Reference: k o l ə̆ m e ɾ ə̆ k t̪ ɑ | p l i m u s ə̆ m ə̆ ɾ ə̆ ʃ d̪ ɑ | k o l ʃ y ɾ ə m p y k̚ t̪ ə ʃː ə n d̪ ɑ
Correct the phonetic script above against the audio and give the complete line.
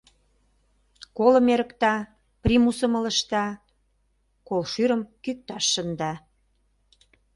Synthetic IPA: k o l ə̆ m e ɾ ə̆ k t̪ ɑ | p r i m u s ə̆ m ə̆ l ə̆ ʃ t̪ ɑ | k o l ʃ y ɾ ə m k y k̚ t̪ ɑ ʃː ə n d̪ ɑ